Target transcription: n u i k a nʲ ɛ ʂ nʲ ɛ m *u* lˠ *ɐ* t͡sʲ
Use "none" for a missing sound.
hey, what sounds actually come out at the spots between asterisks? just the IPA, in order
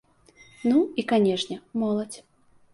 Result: ɔ, ɐ

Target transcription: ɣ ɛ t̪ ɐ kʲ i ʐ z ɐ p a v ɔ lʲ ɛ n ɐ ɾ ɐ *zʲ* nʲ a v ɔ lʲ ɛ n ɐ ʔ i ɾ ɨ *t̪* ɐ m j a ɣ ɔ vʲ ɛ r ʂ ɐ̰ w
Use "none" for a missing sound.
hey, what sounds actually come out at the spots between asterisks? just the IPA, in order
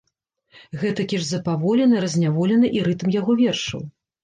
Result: zʲ, t̪

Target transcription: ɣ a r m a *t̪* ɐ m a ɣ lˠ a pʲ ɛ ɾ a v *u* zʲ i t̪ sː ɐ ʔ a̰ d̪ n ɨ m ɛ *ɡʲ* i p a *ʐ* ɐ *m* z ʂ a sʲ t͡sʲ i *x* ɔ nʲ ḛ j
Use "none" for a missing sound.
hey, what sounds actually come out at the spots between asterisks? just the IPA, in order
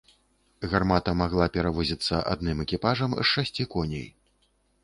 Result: t̪, ɔ, kʲ, ʐ, m, k

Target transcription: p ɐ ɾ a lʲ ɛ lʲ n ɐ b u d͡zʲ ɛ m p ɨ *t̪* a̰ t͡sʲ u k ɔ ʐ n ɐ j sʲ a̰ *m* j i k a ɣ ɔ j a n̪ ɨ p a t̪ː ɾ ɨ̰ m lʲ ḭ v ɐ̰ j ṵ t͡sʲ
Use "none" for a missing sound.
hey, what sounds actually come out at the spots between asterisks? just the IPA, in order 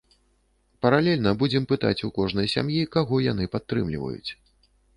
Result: t̪, m

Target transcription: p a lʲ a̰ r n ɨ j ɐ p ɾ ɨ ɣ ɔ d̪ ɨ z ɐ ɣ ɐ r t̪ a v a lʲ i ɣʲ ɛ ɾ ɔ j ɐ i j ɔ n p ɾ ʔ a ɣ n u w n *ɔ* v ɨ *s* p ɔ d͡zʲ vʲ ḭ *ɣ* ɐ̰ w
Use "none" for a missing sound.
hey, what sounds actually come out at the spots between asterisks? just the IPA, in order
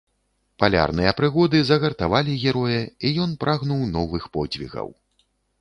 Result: ɔ, x, ɣ

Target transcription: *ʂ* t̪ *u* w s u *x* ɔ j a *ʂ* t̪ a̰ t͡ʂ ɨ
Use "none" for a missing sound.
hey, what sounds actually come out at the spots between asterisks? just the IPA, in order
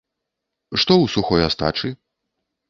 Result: ʂ, ɔ, x, s

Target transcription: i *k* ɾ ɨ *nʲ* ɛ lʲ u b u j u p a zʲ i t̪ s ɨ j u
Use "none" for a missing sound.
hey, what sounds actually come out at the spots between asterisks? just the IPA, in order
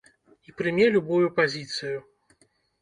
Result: p, mʲ

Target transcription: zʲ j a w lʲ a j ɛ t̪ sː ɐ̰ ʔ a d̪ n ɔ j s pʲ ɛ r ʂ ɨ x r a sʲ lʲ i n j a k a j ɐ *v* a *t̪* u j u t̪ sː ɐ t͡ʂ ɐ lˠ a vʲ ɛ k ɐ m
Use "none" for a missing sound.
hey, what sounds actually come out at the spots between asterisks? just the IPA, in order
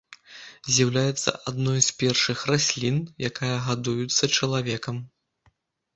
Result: ɣ, d̪

